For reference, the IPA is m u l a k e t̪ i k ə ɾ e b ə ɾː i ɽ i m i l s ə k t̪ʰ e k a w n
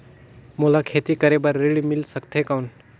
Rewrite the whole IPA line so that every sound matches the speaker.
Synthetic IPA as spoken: m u l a kʰ e t̪ i k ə ɾ e b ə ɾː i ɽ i m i l s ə k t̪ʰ e k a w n